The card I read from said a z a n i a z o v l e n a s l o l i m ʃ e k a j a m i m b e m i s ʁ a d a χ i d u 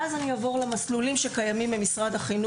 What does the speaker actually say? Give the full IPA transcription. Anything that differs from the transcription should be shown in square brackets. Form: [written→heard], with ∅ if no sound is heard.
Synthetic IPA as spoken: a z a n i a [z→v] o [v→ʁ] l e [n→m] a s l [o→u] l i m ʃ e k a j a m i m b e m i s ʁ a d a χ i [d→n] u